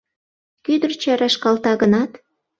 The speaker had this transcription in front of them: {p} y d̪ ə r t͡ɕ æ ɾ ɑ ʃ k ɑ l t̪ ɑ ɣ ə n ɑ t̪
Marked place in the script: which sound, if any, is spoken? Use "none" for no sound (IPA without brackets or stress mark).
k